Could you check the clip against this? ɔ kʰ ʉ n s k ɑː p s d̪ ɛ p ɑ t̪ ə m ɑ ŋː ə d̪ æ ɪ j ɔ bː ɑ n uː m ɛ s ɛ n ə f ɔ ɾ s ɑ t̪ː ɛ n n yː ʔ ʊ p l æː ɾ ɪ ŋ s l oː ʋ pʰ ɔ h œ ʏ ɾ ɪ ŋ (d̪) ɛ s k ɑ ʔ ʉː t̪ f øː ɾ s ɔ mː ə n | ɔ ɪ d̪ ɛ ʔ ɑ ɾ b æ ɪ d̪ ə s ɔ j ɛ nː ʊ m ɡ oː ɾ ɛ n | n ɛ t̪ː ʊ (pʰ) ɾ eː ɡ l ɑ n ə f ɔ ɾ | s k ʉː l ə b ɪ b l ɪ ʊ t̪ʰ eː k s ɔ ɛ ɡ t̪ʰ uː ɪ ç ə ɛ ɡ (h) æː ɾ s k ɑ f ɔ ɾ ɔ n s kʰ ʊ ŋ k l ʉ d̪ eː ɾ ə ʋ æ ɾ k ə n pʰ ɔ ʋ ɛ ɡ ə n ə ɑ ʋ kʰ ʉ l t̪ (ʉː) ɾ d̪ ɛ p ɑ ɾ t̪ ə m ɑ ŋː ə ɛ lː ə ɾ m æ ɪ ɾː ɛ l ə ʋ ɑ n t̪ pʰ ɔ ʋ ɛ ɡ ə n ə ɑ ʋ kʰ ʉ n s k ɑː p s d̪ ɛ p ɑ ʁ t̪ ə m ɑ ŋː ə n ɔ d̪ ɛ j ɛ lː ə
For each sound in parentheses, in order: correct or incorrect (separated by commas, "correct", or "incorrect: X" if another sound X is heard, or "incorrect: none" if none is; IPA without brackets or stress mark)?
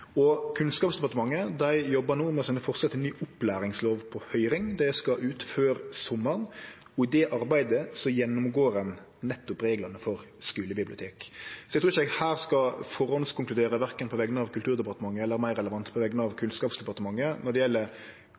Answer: correct, incorrect: p, correct, correct